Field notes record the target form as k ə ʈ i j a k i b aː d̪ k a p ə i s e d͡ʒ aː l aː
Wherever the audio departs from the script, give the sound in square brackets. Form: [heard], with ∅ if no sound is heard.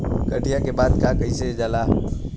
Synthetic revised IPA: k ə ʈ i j a k [e] b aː d̪ k a [k] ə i s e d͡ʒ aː l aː